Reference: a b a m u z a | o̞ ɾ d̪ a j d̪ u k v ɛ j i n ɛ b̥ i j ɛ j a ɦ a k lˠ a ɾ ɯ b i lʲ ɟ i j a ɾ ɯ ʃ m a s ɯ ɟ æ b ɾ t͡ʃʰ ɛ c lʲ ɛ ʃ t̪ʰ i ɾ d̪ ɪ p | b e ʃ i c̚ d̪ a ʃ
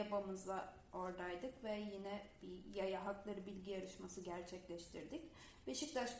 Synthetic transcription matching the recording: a b a m ɯ z a | o̞ ɾ d̪ a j d̪ ɯ k v ɛ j i n ɛ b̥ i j a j a ɦ a k lˠ a ɾ ɯ b i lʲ ɟ i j a ɾ ɯ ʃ m a s ɯ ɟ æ ɾ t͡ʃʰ ɛ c lʲ ɛ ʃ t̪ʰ i ɾ d̪ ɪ c | b e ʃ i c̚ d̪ a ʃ